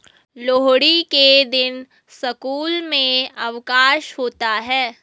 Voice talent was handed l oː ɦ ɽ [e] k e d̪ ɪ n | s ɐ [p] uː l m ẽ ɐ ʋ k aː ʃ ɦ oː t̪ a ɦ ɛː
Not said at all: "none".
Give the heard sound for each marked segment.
i, k

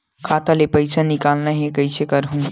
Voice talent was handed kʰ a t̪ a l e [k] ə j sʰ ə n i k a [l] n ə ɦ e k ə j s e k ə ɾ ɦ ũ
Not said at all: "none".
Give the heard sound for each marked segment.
p, l

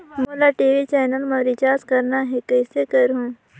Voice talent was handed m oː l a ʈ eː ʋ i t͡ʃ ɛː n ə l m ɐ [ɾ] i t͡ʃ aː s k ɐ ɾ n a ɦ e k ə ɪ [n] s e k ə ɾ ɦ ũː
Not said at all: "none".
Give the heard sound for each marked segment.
ɾ, none

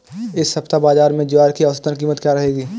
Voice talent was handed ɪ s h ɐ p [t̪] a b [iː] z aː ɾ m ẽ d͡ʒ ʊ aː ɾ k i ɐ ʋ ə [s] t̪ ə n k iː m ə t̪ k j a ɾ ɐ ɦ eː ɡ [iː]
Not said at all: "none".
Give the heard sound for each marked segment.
t̪, aː, s, iː

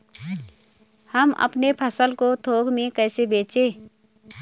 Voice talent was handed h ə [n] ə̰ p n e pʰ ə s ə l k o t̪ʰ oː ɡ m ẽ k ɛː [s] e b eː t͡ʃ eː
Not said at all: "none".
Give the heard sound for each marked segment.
m, s

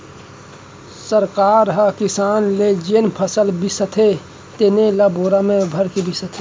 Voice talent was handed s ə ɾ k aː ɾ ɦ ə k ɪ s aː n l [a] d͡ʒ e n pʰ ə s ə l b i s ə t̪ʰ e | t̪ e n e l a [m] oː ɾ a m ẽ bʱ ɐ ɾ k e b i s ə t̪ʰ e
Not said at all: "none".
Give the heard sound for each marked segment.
e, b

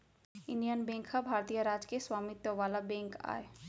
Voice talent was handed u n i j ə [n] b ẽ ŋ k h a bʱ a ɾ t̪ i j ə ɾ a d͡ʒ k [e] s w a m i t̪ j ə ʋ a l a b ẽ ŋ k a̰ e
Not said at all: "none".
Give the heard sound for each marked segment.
n, e

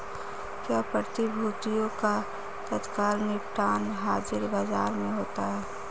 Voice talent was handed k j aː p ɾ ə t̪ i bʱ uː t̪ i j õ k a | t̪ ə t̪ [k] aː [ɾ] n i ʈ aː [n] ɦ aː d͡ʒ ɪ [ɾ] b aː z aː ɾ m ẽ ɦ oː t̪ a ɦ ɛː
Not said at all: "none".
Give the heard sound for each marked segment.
k, l, n, ɾ

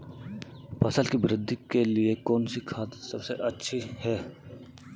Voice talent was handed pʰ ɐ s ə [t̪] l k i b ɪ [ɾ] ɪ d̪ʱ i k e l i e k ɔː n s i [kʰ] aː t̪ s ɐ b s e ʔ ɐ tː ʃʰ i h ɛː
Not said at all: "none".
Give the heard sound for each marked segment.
none, ɾ, kʰ

